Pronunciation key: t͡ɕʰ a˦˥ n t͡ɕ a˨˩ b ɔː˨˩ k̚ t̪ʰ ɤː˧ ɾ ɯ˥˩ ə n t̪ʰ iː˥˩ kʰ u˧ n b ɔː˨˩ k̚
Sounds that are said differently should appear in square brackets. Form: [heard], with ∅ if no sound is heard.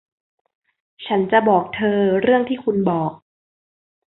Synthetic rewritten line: t͡ɕʰ a˦˥ n t͡ɕ a˨˩ b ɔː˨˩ k̚ t̪ʰ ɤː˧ ɾ ɯ˥˩ ə [ŋ] t̪ʰ iː˥˩ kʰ u˧ n b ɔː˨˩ k̚